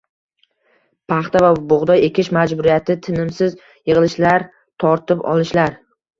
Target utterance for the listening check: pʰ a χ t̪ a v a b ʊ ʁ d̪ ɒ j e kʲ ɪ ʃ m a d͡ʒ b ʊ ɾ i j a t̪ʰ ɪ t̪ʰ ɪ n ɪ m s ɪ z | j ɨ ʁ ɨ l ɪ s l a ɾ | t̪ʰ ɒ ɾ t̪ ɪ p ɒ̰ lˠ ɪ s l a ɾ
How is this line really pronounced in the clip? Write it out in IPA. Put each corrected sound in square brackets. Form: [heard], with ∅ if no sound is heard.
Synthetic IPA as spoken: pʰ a χ t̪ a v a b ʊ ʁ d̪ ɒ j e kʲ ɪ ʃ m a d͡ʒ b ʊ ɾ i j a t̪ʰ ɪ t̪ʰ ɪ n ɪ m s ɪ z | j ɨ ʁ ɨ l ɪ [ʃ] l a ɾ | t̪ʰ ɒ ɾ t̪ ɪ p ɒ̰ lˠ ɪ [ʃ] l a ɾ